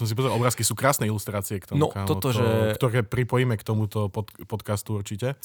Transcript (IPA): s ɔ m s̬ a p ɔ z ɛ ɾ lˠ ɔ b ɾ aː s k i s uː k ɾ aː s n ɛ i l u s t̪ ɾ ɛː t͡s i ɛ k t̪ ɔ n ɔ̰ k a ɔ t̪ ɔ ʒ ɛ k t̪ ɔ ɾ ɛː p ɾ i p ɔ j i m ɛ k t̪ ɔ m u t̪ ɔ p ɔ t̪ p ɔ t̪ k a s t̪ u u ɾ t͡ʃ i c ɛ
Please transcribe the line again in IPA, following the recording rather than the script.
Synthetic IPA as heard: s ɔ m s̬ i p ɔ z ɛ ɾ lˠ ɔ b ɾ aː s k i s uː k ɾ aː s n ɛ i l u s t̪ ɾ aː t͡s i ɛ k t̪ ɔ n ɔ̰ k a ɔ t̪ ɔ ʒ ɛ k t̪ ɔ ɾ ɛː p ɾ i p ɔ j i m ɛ k t̪ ɔ m u t̪ ɔ p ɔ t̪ p ɔ t̪ k a s t̪ u u ɾ t͡ʃ i c ɛ